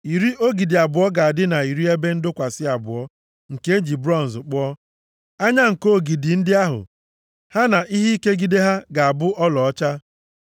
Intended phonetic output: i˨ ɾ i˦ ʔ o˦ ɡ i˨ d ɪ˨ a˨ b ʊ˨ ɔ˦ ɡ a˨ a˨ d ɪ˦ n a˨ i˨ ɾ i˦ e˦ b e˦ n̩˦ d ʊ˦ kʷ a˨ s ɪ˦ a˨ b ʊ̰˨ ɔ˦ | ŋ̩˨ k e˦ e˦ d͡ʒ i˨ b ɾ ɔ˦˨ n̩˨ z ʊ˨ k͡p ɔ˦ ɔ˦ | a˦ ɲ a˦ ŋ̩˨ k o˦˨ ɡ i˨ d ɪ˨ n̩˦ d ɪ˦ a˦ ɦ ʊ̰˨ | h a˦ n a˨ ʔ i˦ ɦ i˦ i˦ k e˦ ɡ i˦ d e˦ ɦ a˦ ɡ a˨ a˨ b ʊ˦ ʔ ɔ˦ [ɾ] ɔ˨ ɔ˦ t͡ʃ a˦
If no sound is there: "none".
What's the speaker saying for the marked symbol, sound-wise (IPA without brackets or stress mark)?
l